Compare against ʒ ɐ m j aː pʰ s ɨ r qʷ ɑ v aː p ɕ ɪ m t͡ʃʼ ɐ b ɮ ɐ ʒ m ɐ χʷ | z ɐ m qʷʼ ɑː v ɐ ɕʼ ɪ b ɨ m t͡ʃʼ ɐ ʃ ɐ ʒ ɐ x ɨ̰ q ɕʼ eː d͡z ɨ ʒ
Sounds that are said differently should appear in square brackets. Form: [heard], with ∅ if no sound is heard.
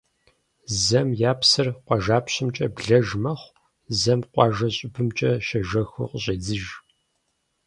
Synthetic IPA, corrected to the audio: [z] ɐ m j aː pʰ s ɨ r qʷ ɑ [ʒ] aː p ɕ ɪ m t͡ʃʼ ɐ b ɮ ɐ ʒ m ɐ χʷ | z ɐ m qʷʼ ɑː [ʒ] ɐ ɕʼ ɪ b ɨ m t͡ʃʼ ɐ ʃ ɐ ʒ ɐ x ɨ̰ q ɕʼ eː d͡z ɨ ʒ

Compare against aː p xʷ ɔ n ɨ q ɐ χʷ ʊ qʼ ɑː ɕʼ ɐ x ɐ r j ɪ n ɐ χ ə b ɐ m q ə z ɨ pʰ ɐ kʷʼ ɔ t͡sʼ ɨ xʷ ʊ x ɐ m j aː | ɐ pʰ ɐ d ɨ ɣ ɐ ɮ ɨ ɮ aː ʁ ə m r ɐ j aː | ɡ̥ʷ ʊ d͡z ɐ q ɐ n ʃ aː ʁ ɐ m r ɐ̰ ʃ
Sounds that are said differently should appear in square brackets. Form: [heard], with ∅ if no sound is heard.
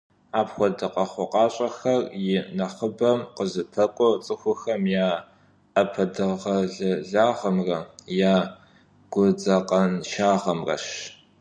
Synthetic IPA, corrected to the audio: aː p xʷ ɔ [d] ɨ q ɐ χʷ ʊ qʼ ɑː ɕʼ ɐ x ɐ r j ɪ n ɐ χ ə b ɐ m q ə z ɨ pʰ ɐ kʷʼ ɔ t͡sʼ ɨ xʷ ʊ x ɐ m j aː | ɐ pʰ ɐ d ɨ [ʁ] ɐ ɮ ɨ ɮ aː ʁ [ɐ] m r ɐ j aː | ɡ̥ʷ ʊ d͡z ɐ q ɐ n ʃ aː ʁ ɐ m r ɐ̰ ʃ

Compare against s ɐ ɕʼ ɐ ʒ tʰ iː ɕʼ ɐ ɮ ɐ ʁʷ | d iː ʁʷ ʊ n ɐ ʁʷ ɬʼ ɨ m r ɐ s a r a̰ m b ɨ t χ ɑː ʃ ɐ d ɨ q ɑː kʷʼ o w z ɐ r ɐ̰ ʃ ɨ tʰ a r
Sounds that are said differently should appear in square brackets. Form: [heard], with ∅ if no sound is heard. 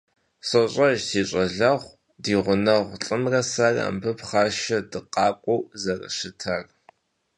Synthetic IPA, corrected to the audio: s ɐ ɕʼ ɐ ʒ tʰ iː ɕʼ ɐ ɮ ɐ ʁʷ | d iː ʁʷ ʊ n ɐ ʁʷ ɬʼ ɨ m r ɐ s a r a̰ m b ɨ [p] χ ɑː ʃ ɐ d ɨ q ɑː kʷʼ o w z ɐ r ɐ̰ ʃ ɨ tʰ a r

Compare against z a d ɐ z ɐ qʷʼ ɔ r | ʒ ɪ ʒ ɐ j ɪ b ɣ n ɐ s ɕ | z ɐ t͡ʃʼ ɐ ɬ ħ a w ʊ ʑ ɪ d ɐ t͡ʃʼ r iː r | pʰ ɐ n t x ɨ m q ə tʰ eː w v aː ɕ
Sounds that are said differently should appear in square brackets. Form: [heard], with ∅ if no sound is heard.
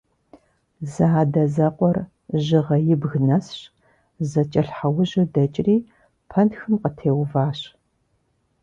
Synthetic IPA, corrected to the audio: z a d ɐ z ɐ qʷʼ ɔ r | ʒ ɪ [ʁ] ɐ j ɪ b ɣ n ɐ s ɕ | z ɐ t͡ʃʼ ɐ ɬ ħ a w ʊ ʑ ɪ d ɐ t͡ʃʼ r iː [∅] | pʰ ɐ n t x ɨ m q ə tʰ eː w v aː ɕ

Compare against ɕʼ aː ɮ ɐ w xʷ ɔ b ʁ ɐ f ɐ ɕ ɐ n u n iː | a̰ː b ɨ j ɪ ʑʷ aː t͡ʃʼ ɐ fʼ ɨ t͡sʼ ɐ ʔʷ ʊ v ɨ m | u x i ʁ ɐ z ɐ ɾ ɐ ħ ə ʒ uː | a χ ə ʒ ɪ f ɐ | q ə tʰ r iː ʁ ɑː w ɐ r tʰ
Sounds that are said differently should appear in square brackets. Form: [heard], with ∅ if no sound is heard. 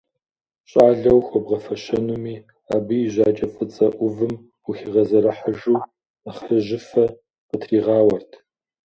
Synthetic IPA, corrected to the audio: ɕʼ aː ɮ ɐ w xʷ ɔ b ʁ ɐ f ɐ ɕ ɐ n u [m] iː | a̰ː b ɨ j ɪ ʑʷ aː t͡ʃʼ ɐ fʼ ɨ t͡sʼ ɐ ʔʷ ʊ v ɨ m | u x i ʁ ɐ z ɐ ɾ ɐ ħ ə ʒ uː | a χ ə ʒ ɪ f ɐ | q ə tʰ r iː ʁ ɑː w ɐ r tʰ

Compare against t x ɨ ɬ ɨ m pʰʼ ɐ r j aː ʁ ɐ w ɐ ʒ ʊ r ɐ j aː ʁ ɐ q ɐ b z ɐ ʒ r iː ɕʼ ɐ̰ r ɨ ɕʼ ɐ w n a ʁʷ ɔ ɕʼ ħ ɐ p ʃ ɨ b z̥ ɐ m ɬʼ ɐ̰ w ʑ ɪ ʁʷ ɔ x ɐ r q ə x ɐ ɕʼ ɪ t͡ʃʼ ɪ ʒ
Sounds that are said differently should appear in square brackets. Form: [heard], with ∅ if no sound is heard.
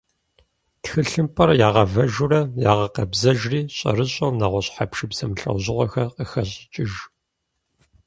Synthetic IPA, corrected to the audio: t x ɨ ɬ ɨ m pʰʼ ɐ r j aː ʁ ɐ [v] ɐ ʒ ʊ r ɐ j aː ʁ ɐ q ɐ b z ɐ ʒ r iː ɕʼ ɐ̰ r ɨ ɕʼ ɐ w n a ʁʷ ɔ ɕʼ ħ [a] p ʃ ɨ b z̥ ɐ m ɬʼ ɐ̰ w ʑ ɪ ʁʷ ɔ x ɐ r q ə x ɐ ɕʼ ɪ t͡ʃʼ ɪ ʒ

